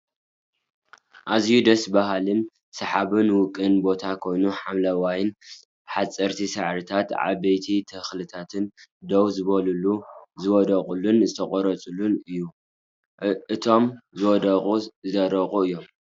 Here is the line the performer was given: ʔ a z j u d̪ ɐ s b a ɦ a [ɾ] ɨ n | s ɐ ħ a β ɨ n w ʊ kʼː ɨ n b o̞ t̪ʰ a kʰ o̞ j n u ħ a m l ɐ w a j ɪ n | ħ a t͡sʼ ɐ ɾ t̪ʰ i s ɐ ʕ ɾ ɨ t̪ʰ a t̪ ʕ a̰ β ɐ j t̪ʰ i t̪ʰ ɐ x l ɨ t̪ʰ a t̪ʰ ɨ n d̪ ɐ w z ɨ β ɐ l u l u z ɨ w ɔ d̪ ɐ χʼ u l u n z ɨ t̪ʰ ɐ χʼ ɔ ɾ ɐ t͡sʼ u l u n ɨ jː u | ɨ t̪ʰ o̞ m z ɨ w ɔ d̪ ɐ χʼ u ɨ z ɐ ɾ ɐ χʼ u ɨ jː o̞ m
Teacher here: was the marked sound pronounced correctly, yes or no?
no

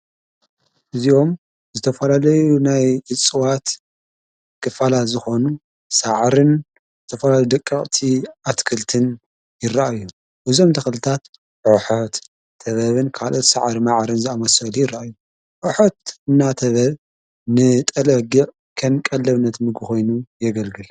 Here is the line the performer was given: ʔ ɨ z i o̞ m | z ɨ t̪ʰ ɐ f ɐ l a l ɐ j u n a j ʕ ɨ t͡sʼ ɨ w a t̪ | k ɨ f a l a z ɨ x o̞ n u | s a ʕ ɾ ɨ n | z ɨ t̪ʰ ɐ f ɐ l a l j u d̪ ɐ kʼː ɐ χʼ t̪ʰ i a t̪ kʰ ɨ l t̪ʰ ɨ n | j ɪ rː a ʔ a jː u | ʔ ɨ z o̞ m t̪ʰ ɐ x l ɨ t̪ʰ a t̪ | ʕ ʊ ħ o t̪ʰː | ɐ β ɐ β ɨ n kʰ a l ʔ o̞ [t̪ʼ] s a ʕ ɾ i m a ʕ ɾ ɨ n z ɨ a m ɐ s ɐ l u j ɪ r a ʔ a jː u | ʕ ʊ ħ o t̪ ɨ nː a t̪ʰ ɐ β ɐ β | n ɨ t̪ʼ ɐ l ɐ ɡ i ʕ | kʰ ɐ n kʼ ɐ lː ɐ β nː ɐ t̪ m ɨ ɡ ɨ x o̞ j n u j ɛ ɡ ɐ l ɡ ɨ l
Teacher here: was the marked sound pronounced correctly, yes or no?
no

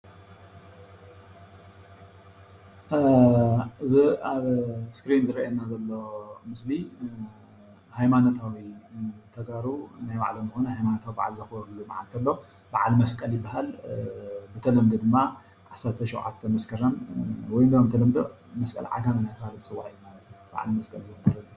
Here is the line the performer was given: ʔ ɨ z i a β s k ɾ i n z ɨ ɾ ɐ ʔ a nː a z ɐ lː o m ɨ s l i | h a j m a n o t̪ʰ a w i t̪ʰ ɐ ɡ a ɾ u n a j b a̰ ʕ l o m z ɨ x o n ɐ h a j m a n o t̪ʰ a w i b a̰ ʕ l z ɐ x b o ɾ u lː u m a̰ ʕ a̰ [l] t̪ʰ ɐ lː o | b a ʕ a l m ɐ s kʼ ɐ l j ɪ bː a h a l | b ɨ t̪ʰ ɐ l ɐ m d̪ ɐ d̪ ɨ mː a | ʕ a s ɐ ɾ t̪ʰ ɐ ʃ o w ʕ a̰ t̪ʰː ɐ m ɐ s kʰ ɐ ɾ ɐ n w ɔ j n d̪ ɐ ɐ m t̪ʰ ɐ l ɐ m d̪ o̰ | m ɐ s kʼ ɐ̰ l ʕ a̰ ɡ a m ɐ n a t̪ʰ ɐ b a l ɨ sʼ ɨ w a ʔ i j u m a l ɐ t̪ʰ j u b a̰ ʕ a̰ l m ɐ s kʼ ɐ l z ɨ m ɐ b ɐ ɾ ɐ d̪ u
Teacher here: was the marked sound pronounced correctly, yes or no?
yes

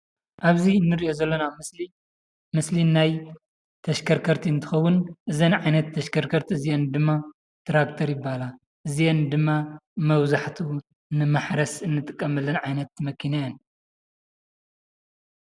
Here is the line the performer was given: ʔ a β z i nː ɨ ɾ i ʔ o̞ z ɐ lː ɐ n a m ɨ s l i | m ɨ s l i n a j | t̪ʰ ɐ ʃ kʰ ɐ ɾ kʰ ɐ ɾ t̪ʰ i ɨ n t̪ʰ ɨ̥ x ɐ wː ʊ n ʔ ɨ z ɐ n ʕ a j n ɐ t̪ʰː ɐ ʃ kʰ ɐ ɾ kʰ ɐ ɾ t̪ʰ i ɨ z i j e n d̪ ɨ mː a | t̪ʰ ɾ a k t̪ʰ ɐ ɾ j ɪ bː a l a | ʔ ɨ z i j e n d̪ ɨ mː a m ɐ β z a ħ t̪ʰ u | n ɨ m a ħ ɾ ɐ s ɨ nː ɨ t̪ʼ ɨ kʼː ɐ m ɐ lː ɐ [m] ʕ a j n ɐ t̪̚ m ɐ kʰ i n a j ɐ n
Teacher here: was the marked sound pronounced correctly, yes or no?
no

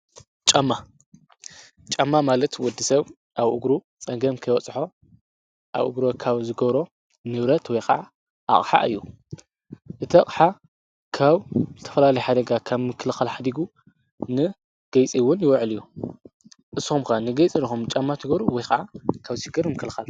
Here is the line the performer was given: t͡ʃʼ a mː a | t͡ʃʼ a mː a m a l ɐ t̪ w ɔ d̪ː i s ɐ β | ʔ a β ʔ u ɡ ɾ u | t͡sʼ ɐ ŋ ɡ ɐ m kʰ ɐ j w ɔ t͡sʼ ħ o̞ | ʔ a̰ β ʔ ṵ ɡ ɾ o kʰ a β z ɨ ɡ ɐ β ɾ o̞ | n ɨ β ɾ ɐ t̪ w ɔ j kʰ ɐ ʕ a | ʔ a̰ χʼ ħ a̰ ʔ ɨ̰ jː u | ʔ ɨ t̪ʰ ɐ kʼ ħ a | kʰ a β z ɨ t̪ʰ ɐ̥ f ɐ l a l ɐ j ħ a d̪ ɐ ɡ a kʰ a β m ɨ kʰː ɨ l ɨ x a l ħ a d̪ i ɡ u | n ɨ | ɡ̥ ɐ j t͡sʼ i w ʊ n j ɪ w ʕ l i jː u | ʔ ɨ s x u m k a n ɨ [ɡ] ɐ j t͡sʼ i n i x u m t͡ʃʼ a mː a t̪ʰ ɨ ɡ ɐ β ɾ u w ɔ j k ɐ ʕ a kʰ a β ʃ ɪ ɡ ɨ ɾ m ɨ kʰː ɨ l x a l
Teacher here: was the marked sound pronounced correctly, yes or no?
yes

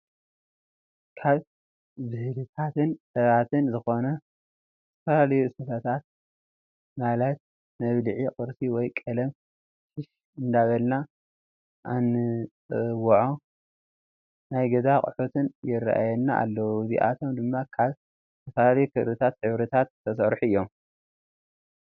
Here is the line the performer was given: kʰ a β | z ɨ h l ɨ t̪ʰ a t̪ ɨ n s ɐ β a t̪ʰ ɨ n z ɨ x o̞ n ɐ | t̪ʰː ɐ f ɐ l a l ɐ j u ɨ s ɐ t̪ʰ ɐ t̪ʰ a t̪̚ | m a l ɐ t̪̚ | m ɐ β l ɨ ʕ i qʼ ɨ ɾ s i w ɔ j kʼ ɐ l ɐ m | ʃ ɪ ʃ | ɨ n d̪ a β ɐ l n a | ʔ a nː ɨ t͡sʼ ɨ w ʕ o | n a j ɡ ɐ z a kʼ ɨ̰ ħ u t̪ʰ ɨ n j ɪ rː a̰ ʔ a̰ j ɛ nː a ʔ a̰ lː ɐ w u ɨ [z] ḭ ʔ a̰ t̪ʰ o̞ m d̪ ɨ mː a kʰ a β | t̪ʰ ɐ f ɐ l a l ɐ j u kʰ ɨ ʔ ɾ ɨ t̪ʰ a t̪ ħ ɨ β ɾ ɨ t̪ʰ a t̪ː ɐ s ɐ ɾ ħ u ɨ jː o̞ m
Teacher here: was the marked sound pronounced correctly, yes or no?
yes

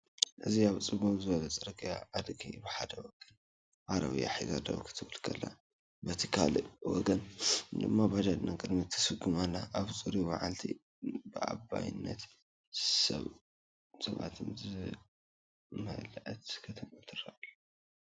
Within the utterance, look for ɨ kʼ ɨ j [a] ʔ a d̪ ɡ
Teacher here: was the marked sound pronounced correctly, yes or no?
yes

